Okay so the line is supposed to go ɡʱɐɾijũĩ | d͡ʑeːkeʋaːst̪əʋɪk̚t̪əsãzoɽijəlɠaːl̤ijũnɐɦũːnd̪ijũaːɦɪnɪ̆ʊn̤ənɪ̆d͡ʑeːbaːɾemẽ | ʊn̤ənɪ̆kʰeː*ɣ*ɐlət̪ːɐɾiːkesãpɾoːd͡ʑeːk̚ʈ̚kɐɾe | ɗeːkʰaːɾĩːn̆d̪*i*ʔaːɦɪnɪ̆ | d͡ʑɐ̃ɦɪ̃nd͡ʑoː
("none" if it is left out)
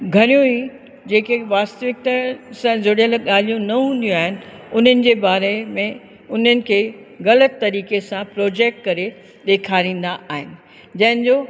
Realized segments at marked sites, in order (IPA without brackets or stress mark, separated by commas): ɣ, a